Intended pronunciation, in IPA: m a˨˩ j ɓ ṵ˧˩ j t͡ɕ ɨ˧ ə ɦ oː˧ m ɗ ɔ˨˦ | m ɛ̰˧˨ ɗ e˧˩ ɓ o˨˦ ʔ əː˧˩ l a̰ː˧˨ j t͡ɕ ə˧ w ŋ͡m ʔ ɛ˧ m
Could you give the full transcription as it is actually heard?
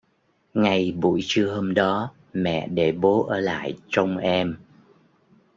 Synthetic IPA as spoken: ŋ a˨˩ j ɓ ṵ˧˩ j t͡ɕ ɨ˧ ə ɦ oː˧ m ɗ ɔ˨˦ | m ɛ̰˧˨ ɗ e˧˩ ɓ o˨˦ ʔ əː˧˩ l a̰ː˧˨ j t͡ɕ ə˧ w ŋ͡m ʔ ɛ˧ m